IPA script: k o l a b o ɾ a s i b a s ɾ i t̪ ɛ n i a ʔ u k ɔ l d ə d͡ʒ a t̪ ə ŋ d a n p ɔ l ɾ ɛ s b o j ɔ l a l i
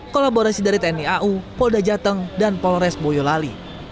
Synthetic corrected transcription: k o l a b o ɾ a s i d a ɾ i t̪ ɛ n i a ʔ u p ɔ l d a d͡ʒ a t̪ ə ŋ d a n p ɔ l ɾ ɛ s b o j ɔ l a l i